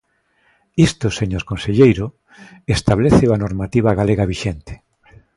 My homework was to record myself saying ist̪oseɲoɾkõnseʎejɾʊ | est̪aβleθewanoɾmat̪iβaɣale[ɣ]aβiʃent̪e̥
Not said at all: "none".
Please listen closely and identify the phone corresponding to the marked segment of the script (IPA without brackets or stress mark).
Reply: ɣ